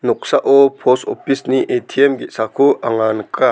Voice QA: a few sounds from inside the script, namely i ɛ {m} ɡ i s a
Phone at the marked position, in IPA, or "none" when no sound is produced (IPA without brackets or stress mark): m